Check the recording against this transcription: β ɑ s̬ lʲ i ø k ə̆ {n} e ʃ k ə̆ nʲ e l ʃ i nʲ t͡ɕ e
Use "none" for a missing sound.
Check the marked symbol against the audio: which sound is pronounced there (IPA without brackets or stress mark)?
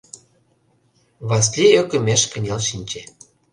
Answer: m